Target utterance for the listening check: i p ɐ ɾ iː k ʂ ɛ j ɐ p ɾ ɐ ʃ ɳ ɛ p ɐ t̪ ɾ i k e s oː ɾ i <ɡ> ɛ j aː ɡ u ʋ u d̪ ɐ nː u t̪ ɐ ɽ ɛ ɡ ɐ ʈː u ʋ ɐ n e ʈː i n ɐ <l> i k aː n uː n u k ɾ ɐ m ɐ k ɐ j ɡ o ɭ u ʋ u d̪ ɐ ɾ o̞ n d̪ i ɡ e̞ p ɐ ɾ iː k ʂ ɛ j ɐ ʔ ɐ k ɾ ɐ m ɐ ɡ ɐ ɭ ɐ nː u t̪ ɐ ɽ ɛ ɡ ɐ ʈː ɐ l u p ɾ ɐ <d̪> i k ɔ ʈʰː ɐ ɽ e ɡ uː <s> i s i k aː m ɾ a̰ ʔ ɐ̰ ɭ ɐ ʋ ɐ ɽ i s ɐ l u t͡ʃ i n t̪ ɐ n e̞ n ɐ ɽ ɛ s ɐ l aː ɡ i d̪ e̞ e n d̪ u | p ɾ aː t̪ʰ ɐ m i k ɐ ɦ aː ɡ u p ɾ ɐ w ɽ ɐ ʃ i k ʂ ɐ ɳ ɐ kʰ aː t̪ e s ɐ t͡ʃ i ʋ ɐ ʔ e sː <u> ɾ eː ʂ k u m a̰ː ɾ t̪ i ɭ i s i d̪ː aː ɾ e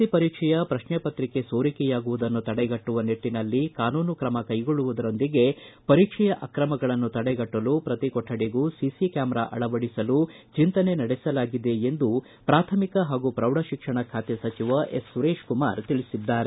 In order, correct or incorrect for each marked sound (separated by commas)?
incorrect, incorrect, incorrect, correct, correct